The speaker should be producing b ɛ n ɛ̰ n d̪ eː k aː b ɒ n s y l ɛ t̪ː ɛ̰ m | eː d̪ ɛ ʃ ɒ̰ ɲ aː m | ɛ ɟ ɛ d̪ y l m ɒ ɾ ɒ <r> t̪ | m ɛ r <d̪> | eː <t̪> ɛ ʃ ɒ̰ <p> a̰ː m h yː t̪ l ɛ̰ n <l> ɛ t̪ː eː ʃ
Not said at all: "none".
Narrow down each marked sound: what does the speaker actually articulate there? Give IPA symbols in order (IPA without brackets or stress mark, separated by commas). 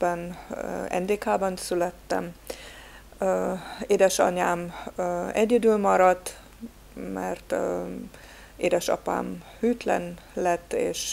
none, t̪, d̪, p, l